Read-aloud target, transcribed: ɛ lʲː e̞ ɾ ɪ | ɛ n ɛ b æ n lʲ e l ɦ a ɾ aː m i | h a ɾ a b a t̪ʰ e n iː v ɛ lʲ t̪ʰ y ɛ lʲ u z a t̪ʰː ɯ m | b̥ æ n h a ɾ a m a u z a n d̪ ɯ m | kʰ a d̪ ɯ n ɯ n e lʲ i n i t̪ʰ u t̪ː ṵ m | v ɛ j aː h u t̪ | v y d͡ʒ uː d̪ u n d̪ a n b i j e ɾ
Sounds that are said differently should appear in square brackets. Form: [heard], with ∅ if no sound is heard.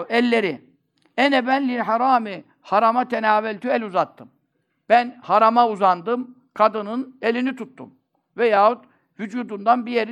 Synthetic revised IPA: ɛ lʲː e̞ ɾ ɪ | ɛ n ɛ b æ n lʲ [i] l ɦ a ɾ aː m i | h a ɾ a [m] a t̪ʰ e n [aː] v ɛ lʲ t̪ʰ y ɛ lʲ u z a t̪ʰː ɯ m | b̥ æ n h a ɾ a m a u z a n d̪ ɯ m | kʰ a d̪ ɯ n ɯ n e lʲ i n i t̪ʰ u t̪ː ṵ m | v ɛ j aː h u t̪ | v y d͡ʒ uː d̪ u n d̪ a n b i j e ɾ